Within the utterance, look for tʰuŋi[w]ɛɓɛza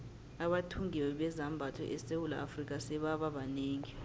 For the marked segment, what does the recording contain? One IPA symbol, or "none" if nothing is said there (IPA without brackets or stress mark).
w